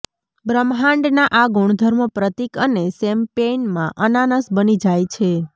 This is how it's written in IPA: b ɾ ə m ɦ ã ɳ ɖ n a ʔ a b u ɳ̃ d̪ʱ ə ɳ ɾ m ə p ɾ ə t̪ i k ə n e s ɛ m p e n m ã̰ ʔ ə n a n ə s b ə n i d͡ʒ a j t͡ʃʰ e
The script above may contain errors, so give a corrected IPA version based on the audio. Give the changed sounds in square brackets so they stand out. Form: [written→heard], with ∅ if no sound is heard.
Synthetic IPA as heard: b ɾ ə m ɦ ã ɳ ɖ n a ʔ a [b→ɡ] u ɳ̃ d̪ʱ ə [ɳ→∅] ɾ m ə p ɾ ə t̪ i k ə n e s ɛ m p e n m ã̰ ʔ ə n a n ə s b ə n i d͡ʒ a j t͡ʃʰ e